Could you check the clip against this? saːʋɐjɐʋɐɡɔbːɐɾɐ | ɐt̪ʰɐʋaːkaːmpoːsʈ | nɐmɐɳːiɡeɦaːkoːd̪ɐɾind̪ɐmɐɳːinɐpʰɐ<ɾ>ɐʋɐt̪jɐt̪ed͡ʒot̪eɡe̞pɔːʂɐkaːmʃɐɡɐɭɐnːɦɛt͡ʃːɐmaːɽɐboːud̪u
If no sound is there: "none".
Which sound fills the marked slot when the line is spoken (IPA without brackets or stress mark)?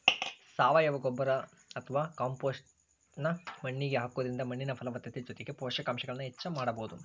l